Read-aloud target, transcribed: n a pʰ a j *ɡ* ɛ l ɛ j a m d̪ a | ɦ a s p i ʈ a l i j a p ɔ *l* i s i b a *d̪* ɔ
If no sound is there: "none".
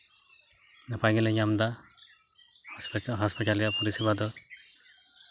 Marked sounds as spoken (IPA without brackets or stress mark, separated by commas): ɡ, ɾ, d̪